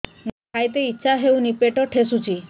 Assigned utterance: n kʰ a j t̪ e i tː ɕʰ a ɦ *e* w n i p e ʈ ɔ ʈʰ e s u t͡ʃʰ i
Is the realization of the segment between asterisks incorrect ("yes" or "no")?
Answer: no